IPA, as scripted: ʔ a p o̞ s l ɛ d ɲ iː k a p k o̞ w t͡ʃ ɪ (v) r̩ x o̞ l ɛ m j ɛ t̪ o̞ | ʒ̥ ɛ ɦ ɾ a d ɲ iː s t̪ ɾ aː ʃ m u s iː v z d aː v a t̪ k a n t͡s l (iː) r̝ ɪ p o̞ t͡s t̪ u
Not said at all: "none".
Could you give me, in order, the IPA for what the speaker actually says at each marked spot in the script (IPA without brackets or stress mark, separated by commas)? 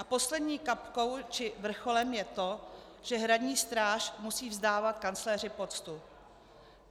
v, ɛː